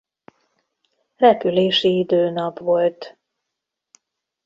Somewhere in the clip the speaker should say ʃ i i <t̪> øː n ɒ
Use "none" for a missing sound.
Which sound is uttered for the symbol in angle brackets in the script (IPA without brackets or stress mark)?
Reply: d̪